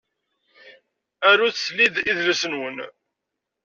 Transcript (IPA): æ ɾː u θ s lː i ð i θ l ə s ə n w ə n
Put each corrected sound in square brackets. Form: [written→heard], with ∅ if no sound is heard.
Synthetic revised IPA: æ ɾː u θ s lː i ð i [θ→ð] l ə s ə n w ə n